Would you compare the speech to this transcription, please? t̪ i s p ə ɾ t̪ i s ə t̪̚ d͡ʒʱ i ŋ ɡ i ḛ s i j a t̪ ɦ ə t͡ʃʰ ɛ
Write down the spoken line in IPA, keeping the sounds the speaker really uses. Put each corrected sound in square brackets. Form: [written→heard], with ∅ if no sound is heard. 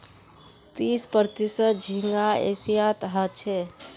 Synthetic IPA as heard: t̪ i s p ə ɾ t̪ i s ə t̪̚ d͡ʒʱ i ŋ ɡ [i→a] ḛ s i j a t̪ ɦ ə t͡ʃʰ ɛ